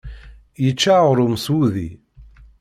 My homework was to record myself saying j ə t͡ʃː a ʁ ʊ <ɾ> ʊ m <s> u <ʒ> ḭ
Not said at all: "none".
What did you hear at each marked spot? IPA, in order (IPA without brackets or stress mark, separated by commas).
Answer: ɾ, s, ð